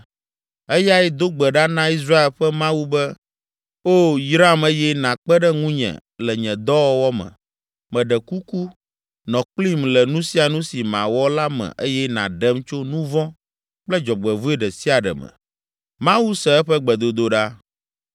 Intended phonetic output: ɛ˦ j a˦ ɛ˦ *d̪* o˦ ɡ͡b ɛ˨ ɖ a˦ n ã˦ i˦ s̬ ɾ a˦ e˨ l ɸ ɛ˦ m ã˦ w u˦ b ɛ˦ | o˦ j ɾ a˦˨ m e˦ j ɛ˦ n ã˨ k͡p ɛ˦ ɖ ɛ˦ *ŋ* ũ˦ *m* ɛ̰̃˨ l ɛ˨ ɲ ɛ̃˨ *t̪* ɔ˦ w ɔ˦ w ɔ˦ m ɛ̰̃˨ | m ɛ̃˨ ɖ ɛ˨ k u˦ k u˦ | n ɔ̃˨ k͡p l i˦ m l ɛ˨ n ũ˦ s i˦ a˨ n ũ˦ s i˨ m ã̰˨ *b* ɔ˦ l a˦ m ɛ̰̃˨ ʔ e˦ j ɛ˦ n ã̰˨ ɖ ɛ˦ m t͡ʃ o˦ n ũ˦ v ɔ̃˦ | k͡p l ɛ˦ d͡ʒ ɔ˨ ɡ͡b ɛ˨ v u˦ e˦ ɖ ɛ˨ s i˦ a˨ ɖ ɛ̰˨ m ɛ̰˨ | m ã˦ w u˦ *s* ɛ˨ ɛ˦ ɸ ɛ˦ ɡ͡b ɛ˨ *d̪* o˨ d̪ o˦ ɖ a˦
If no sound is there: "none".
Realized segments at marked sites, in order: d̪, ŋ, ɲ, d̪, w, s, d̪

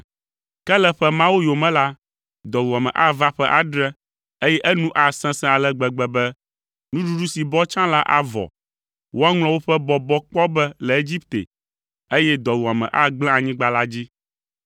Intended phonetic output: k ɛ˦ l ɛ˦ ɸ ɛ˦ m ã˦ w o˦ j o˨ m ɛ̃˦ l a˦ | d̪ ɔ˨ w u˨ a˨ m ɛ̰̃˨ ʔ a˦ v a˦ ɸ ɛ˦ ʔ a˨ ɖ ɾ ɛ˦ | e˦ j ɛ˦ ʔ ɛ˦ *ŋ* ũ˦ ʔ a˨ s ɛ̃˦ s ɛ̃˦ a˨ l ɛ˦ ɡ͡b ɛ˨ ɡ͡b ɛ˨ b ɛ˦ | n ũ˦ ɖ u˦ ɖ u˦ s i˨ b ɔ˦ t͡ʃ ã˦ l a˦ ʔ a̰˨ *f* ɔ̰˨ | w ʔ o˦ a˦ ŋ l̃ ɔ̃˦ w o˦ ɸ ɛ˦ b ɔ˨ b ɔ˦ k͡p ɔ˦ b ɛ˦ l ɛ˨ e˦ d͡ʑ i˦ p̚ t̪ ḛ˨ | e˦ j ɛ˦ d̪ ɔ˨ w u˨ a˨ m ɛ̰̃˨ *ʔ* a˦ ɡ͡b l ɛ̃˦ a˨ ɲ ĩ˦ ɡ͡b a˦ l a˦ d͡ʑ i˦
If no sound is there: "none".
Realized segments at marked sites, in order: n, v, ʔ

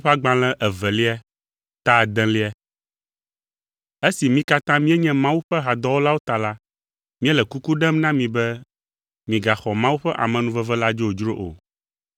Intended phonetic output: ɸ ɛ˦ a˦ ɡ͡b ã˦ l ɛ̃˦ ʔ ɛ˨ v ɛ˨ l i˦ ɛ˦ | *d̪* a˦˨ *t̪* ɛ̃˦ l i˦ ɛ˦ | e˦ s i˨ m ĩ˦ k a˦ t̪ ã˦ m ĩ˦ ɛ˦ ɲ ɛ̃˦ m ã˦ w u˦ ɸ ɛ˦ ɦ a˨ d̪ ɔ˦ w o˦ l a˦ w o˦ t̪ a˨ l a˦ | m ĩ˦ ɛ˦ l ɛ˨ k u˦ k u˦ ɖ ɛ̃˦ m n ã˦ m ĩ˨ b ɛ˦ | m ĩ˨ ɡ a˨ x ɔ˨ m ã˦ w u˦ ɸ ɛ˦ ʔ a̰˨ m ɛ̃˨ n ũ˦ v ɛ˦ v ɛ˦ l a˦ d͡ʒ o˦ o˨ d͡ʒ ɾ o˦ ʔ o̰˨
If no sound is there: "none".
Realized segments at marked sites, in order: t̪, d̪

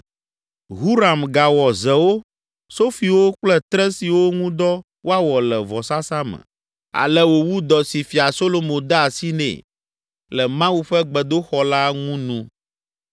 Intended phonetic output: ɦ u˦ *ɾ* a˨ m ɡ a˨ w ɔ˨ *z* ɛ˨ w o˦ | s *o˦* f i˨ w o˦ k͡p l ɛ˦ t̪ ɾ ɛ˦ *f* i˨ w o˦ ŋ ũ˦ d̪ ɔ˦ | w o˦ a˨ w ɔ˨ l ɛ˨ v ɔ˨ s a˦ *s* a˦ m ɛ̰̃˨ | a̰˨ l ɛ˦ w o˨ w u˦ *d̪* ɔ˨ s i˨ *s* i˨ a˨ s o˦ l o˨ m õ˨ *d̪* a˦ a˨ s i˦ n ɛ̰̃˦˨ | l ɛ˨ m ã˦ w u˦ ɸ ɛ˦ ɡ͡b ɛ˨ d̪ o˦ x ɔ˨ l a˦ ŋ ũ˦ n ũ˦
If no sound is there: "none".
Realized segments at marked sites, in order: ɾ, z, o˦, s, s, d̪, f, d̪

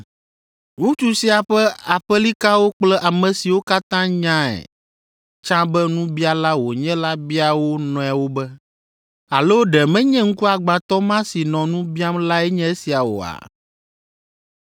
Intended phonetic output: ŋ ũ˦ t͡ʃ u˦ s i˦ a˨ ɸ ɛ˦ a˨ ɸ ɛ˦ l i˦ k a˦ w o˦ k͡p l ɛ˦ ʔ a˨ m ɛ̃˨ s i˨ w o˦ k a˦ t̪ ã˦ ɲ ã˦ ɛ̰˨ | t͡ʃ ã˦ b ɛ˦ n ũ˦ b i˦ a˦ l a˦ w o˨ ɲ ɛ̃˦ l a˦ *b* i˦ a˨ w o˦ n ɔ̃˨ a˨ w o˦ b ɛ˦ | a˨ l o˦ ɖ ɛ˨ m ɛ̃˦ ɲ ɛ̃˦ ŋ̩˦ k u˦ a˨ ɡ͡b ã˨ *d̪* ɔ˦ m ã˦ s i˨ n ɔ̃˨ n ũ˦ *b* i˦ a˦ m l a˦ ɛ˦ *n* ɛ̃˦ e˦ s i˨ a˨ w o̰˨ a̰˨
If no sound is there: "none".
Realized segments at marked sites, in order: b, t̪, b, ɲ

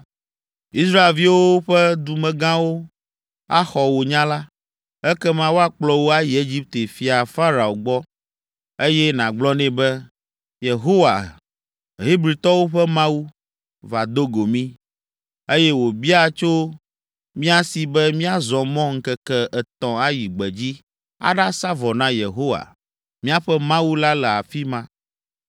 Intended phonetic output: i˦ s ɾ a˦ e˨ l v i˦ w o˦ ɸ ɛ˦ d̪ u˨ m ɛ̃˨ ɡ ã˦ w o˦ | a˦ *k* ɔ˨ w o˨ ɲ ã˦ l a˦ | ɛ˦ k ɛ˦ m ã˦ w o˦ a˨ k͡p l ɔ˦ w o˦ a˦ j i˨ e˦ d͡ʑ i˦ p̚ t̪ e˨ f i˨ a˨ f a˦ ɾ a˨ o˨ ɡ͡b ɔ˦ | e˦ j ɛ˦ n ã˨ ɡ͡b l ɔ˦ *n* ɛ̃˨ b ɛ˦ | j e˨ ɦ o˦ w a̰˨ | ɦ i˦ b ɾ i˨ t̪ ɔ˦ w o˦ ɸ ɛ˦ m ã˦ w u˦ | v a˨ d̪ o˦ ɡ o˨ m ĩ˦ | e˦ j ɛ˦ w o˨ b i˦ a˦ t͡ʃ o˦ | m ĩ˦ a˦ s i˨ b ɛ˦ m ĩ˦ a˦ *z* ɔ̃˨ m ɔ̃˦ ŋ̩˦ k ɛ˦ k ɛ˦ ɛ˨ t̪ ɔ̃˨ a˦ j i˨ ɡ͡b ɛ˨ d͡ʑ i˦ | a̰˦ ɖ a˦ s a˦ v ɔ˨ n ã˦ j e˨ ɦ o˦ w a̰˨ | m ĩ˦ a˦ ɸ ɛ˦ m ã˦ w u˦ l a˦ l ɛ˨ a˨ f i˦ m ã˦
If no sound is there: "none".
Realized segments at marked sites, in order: x, n, z

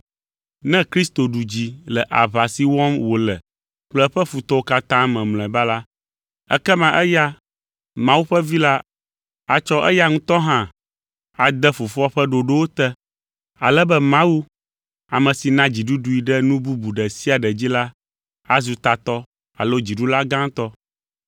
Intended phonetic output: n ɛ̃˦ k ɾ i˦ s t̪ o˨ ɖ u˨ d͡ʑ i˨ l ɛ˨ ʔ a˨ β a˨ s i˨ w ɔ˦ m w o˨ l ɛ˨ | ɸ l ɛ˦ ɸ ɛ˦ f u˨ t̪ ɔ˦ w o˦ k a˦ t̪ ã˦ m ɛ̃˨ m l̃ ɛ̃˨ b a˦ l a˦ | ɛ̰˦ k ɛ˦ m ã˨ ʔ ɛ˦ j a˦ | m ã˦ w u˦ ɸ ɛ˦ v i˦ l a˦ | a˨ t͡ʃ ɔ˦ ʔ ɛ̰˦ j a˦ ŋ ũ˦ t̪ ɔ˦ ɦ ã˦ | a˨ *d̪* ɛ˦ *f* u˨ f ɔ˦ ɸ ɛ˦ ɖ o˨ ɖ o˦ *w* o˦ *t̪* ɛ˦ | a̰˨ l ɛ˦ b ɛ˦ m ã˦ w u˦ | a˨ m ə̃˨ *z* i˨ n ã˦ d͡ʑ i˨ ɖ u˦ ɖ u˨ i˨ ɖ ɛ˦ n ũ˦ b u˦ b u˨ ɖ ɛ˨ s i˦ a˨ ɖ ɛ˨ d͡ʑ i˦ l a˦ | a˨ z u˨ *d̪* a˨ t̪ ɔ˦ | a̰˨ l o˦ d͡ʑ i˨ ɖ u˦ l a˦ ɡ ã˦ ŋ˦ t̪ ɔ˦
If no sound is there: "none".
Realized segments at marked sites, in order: d̪, f, w, t̪, s, t̪

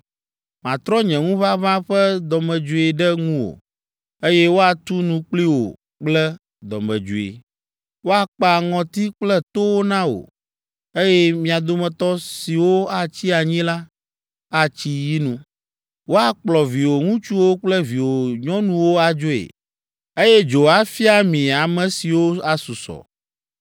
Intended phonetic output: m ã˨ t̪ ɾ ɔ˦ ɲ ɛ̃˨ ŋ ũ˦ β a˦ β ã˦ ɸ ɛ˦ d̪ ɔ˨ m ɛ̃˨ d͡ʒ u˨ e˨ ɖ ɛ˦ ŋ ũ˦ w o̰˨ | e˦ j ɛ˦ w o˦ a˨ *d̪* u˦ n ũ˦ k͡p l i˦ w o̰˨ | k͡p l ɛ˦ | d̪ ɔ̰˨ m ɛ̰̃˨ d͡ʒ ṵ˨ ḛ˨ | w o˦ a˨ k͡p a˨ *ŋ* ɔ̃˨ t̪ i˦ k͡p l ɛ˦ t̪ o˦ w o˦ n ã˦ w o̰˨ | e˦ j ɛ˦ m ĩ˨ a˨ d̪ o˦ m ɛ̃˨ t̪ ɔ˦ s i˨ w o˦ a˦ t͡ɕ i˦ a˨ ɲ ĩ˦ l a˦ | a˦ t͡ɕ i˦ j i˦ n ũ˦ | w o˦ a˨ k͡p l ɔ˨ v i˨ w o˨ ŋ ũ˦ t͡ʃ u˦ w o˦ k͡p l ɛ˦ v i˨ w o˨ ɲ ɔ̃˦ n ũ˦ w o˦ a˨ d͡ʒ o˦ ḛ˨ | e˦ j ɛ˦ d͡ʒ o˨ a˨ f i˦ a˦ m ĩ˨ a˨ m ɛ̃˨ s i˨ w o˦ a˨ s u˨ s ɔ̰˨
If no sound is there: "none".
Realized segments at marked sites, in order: t̪, ŋ

